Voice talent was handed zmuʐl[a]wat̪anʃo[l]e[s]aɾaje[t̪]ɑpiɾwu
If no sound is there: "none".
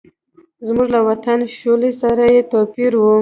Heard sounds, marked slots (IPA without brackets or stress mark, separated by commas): a, l, s, t̪